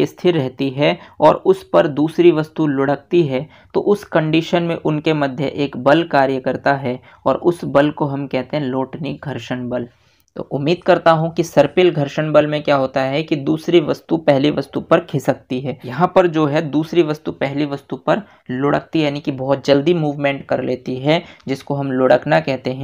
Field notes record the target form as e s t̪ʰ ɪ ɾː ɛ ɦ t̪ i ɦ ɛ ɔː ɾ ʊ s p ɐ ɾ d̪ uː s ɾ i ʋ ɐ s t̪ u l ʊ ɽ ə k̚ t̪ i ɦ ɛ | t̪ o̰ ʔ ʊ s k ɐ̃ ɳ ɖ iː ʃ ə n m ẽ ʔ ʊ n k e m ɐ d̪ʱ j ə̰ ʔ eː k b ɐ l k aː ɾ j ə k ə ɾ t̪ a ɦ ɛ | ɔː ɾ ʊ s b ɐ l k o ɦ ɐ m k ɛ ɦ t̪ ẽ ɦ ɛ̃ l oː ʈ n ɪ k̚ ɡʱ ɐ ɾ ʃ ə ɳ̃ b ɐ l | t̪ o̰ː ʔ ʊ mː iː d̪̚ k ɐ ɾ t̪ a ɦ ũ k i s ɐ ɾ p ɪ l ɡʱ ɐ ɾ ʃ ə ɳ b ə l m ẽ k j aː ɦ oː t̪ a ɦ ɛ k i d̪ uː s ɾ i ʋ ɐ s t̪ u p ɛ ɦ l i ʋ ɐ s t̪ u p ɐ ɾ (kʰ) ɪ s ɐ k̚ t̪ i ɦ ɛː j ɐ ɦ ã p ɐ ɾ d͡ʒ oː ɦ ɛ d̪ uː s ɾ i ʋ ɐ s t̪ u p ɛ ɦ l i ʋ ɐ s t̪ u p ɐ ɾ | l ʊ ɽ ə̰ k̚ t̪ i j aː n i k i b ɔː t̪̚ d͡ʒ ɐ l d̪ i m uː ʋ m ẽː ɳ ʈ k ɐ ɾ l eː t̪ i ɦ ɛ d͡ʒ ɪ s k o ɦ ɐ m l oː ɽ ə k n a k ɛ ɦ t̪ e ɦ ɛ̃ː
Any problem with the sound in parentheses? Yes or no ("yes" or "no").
no